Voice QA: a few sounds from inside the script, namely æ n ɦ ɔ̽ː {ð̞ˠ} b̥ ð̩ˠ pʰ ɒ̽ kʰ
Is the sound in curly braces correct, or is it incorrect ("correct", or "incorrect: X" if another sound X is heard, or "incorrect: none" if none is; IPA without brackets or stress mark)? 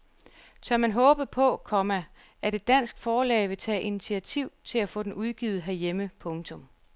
incorrect: none